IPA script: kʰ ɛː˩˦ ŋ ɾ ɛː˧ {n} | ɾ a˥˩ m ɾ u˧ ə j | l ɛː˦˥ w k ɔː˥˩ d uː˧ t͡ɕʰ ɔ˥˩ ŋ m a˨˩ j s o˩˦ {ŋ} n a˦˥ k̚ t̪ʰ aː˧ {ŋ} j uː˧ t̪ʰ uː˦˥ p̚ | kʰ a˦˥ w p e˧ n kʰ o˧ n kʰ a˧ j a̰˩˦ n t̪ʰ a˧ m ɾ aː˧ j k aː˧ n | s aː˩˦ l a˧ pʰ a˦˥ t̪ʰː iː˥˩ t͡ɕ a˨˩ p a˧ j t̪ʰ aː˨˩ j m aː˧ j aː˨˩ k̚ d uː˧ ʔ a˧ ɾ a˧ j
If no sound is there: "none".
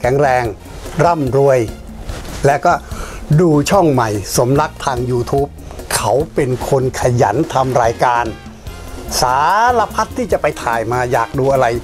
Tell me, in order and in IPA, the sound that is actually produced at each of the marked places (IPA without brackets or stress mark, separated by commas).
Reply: ŋ, m, ŋ